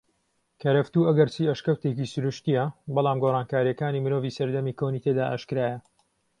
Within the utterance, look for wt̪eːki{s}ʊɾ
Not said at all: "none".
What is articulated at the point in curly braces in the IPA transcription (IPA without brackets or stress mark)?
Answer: s